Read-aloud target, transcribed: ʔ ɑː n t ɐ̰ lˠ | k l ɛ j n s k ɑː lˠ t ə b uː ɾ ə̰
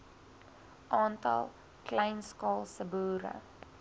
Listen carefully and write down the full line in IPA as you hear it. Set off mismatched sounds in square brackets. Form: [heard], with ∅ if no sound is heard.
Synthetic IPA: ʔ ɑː n t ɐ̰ lˠ | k l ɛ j n s k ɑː lˠ [s] ə b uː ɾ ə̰